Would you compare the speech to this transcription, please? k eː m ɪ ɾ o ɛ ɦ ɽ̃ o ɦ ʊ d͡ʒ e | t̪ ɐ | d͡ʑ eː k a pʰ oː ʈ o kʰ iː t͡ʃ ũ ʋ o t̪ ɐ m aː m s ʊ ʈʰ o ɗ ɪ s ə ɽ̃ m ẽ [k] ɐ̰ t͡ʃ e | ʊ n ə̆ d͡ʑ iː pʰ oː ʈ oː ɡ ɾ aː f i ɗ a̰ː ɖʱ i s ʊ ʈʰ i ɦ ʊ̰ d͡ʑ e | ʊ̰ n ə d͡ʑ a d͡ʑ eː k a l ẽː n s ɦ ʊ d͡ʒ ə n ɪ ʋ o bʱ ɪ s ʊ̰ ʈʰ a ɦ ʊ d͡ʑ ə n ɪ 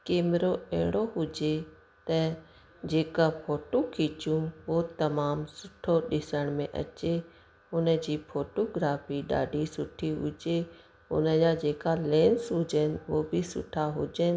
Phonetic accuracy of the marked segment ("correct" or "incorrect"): incorrect